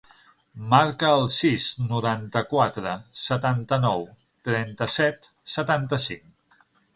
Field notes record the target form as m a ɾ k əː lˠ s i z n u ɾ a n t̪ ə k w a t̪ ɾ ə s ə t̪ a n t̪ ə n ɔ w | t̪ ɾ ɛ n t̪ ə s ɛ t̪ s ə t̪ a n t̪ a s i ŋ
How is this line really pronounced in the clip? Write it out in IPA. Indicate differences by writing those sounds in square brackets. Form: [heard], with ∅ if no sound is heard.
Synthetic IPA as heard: m a ɾ k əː lˠ s i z n u ɾ a n t̪ ə k w a t̪ ɾ ə s ə t̪ a n t̪ ə n ɔ w | t̪ ɾ ɛ n t̪ ə s ɛ t̪ s ə t̪ a n t̪ [ə] s i ŋ